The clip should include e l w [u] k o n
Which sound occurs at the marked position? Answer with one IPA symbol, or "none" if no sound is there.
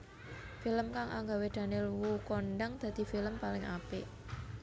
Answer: u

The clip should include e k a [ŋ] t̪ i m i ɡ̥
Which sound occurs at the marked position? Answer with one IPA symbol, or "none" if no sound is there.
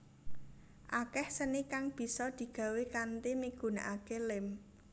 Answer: n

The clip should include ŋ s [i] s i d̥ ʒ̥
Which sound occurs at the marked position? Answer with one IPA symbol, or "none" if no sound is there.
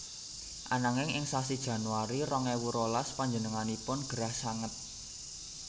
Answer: a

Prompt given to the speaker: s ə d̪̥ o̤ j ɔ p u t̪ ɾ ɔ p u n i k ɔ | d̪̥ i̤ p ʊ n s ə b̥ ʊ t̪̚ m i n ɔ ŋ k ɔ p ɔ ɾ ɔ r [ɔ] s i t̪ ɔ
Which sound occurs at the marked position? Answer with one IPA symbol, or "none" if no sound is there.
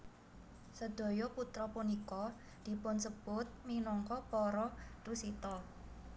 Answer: u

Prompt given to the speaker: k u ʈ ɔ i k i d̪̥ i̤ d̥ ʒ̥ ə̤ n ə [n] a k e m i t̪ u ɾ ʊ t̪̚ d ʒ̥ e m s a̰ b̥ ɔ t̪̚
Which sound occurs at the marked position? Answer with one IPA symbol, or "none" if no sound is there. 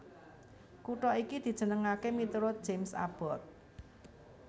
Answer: ŋ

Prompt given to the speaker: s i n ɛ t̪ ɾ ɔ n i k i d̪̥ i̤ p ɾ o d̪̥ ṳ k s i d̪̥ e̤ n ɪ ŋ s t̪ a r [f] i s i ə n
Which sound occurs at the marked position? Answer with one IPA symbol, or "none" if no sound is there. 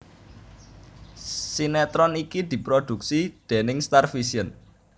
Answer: f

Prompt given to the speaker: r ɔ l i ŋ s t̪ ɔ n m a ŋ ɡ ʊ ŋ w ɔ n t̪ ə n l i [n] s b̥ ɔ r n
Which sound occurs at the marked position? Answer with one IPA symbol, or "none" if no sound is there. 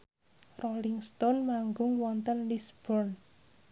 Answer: none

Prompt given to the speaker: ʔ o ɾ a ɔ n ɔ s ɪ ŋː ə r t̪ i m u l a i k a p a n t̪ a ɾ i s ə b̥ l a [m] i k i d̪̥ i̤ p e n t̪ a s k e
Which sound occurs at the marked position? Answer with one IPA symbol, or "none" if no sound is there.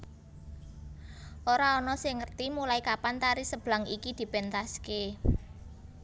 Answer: ŋ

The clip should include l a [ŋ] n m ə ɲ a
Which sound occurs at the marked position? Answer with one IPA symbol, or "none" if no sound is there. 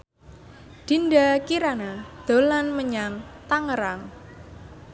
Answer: none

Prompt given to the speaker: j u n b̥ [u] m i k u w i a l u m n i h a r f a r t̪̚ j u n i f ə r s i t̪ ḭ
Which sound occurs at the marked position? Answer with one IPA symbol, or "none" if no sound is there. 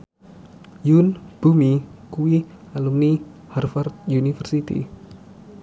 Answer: u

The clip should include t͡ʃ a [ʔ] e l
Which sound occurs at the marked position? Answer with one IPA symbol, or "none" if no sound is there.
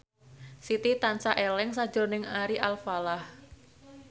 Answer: ʔ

